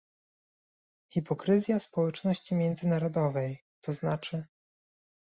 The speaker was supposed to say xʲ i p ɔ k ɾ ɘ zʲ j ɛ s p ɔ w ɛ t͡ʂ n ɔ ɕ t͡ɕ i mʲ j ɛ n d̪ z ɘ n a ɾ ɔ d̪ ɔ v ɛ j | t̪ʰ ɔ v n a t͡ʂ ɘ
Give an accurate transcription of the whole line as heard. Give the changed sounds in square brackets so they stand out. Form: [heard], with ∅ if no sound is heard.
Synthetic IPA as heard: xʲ i p ɔ k ɾ ɘ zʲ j [a] s p ɔ w ɛ t͡ʂ n ɔ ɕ t͡ɕ i mʲ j ɛ n d̪ z ɘ n a ɾ ɔ d̪ ɔ v ɛ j | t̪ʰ ɔ [z] n a t͡ʂ ɘ